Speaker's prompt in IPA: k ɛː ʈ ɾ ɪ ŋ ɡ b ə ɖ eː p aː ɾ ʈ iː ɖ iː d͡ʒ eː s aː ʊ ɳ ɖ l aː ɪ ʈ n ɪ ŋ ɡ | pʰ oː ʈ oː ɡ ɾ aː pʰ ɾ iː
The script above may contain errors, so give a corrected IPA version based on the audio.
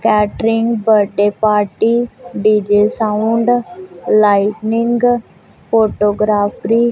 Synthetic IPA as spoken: k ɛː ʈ ɾ ɪ ŋ ɡ b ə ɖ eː p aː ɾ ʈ iː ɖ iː d͡ʒ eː s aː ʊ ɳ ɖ l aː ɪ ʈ n ɪ ŋ ɡ | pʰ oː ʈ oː ɡ ɾ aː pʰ ɾ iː